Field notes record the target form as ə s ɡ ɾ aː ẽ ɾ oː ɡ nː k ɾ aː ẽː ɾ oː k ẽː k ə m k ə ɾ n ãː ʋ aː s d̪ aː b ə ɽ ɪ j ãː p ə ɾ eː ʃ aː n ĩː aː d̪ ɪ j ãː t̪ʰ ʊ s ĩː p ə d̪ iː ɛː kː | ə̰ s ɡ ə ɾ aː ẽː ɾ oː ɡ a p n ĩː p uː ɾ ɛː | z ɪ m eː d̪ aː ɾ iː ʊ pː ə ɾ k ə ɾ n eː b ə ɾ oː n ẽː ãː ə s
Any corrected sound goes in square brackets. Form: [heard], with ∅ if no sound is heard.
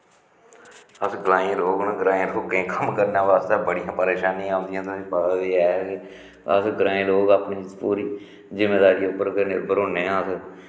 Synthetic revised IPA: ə s ɡ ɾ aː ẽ ɾ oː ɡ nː [ɡ] ɾ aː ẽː ɾ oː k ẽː k ə m k ə ɾ n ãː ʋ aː s [t̪] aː b ə ɽ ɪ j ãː p ə ɾ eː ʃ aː n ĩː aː d̪ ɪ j ãː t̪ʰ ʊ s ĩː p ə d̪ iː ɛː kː | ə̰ s ɡ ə ɾ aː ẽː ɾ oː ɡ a p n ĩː p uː ɾ [iː] | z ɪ m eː d̪ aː ɾ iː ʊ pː ə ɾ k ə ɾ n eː b ə ɾ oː n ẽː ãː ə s